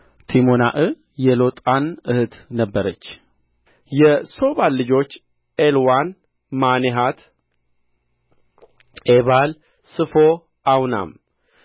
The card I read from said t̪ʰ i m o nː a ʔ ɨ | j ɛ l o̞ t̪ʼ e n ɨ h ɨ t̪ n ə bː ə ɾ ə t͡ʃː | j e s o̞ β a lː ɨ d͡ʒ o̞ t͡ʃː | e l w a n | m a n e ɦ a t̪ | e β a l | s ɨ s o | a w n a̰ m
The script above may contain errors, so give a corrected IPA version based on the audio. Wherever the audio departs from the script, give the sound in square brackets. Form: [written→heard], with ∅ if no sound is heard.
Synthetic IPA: t̪ʰ i m o [nː→n] a ʔ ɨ | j ɛ l o̞ t̪ʼ [e→a] n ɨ h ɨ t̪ n ə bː ə ɾ ə t͡ʃː | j [e→ɛ] s o̞ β a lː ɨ d͡ʒ o̞ t͡ʃː | e l w a n | m a n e ɦ a t̪ | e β a l | s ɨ [s→f] o | a w n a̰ m